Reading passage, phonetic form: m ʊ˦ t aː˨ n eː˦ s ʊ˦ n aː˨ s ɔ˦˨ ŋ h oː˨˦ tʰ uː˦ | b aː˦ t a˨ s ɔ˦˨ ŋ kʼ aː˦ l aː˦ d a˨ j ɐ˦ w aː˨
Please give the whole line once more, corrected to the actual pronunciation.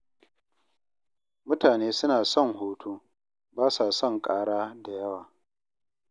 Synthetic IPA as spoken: m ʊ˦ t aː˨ n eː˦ s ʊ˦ n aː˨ s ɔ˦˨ ŋ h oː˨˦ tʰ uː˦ | b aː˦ s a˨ s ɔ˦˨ ŋ kʼ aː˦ ɽ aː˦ d a˨ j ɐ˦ w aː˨

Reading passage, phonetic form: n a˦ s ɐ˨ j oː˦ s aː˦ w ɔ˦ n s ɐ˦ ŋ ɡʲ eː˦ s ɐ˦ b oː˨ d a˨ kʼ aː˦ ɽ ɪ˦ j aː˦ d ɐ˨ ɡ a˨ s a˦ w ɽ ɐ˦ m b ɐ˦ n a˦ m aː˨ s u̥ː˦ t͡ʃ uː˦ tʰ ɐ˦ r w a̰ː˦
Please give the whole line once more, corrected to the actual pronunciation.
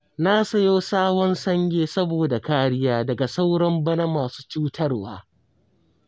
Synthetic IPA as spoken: n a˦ s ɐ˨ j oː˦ s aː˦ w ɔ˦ n s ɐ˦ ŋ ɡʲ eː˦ s ɐ˦ b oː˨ d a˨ k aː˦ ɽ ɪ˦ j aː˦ d ɐ˨ ɡ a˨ s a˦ w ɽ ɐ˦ m b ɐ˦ n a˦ m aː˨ s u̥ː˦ t͡ʃ uː˦ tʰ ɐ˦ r w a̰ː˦

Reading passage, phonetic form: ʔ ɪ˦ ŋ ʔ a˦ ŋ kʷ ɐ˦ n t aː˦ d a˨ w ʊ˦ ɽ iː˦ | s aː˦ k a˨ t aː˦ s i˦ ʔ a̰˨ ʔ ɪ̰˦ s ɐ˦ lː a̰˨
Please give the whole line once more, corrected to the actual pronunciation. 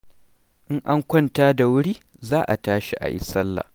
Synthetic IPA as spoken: ʔ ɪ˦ ŋ ʔ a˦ ŋ kʷ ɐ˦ n t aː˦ d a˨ w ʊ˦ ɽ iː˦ | z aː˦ ʔ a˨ t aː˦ ʃ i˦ ʔ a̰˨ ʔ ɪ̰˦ s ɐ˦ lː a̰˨

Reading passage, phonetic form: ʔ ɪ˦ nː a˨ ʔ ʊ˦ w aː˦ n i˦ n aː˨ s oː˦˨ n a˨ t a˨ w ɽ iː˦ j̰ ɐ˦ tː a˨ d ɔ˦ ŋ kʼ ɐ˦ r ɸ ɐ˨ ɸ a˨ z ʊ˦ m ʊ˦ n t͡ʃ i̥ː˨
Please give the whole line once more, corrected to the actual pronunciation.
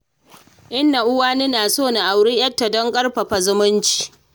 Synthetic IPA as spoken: ʔ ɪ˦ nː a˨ ʔ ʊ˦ w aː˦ n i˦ n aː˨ s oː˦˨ n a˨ ʔ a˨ w ɽ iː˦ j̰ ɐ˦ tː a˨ d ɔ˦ ŋ kʼ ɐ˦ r ɸ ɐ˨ ɸ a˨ z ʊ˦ m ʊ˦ n t͡ʃ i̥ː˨

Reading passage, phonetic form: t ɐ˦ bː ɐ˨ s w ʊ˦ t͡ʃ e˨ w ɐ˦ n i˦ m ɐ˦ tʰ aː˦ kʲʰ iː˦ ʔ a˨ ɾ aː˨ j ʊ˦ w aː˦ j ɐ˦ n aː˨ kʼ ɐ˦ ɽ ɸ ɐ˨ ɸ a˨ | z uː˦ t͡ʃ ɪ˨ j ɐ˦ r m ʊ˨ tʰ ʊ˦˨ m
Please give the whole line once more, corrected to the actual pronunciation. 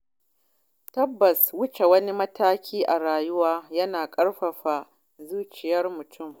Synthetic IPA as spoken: t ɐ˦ bː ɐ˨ s w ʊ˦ t͡ʃ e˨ w ɐ˦ n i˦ m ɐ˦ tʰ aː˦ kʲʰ iː˦ ʔ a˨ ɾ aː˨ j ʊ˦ w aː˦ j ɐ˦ n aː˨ kʼ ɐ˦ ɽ ɸ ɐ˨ ɸ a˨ | z uː˦ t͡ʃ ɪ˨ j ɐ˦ r m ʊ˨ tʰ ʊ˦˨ m

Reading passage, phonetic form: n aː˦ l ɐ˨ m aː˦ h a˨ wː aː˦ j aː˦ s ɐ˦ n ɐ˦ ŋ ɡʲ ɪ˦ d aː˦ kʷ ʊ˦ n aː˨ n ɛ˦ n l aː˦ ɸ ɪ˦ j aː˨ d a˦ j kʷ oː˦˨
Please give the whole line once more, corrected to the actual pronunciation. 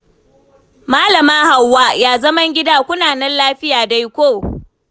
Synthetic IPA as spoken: m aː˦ l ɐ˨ m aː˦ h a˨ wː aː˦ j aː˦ z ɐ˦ m ɐ˦ ŋ ɡʲ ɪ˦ d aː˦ kʷ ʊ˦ n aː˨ n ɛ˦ n l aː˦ ɸ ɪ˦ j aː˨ d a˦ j kʷ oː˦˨

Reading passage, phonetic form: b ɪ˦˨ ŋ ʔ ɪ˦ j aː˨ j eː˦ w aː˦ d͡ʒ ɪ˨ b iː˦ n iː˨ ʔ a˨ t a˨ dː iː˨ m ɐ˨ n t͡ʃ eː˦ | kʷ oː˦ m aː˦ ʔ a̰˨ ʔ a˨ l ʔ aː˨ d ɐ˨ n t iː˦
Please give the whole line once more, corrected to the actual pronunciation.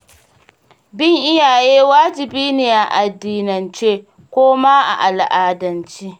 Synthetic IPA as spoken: b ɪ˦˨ ŋ ʔ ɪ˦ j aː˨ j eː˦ w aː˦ d͡ʒ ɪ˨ b iː˦ n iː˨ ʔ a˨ ʔ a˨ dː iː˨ n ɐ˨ n t͡ʃ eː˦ | kʷ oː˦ m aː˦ ʔ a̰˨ ʔ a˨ l ʔ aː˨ d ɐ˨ n t͡ʃ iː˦

